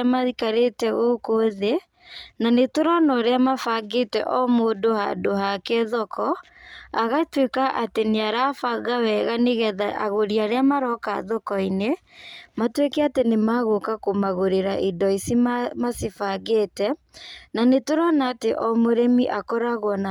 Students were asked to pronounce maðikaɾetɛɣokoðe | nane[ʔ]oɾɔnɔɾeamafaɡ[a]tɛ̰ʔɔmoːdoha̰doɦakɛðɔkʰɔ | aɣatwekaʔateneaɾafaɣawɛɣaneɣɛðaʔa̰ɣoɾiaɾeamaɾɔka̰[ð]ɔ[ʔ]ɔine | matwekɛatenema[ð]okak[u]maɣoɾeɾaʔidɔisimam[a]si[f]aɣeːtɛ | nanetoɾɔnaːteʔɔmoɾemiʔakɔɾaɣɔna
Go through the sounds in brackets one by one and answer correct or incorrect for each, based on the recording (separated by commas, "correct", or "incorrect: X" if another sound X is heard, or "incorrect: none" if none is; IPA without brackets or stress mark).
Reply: incorrect: t, incorrect: e, correct, incorrect: k, incorrect: ɣ, incorrect: o, correct, correct